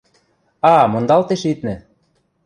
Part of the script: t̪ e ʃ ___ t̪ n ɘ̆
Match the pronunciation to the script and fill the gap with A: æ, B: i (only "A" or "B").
B